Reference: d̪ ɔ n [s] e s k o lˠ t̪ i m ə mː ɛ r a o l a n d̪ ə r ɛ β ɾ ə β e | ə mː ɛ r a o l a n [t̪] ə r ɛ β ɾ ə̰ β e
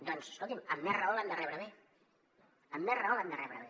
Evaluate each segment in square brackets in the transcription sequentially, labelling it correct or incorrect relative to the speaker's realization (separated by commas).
correct, incorrect